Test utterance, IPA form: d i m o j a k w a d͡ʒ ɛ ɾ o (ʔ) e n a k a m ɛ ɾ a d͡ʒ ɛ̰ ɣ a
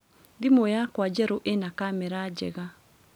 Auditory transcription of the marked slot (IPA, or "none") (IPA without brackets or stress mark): ʔ